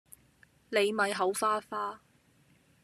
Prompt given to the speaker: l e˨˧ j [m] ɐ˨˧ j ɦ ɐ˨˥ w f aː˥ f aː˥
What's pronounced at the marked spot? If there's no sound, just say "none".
m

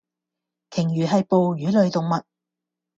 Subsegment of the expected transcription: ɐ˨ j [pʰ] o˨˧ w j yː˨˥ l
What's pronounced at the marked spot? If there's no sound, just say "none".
p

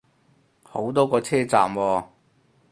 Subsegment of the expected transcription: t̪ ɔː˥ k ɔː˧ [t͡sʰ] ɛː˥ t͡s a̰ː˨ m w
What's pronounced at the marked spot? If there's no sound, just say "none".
t͡sʰ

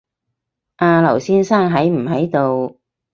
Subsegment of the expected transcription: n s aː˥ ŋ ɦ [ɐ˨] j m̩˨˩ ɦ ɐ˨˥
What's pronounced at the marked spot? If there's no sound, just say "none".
ɐ˨˥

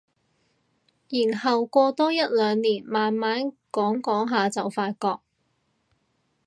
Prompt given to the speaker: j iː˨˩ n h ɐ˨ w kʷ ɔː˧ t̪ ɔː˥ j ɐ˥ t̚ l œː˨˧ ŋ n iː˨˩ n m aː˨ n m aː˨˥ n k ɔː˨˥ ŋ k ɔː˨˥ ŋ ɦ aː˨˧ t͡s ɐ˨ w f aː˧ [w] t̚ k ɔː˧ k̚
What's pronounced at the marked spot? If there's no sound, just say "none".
none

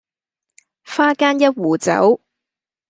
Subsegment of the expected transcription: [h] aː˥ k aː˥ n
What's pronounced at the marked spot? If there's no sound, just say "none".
f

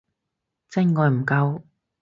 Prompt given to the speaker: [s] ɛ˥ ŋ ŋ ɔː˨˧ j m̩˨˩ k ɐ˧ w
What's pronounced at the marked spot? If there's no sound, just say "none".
t͡s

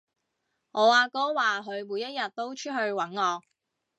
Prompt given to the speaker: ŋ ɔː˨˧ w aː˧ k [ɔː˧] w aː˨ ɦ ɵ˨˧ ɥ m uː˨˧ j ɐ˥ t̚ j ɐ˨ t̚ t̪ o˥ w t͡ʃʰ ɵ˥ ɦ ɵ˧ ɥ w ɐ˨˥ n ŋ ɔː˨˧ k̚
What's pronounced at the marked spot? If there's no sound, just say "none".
ɔː˥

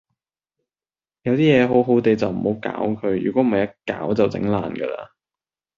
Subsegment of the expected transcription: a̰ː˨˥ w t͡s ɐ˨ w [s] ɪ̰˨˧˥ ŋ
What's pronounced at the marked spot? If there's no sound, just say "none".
t͡s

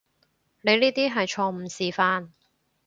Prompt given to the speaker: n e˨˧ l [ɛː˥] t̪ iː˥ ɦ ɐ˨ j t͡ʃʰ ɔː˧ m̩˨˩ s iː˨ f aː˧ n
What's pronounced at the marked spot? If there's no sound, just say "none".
iː˥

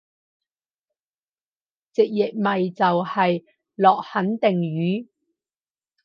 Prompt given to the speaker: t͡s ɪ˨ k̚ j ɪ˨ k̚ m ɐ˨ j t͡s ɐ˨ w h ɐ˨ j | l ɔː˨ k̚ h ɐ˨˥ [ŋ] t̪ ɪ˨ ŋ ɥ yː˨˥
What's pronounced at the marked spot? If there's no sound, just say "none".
n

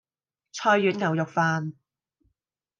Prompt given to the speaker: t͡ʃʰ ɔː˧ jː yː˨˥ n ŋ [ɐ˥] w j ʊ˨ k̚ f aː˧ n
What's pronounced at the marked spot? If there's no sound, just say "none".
ɐ˨˩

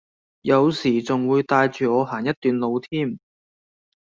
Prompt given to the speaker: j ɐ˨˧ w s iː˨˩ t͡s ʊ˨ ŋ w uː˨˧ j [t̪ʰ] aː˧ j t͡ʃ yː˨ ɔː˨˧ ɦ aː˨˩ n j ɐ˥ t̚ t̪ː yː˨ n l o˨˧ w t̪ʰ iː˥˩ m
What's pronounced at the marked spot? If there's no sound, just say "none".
t̪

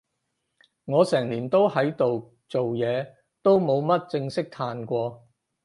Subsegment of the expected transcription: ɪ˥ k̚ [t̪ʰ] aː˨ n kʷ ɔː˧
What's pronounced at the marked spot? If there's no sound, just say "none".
t̪ʰ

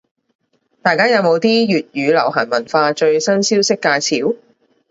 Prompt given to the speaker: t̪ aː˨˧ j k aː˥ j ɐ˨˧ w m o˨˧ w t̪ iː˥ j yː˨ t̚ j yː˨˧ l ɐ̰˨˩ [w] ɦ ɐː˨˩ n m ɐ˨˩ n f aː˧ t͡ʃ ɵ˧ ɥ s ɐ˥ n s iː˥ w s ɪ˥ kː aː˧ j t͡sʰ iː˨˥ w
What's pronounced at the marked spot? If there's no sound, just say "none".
w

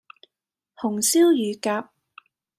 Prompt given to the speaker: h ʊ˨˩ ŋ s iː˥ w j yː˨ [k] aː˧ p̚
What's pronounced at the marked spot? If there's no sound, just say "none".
k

